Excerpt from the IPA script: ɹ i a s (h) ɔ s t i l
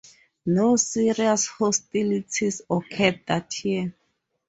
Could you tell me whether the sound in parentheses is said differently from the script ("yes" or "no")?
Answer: no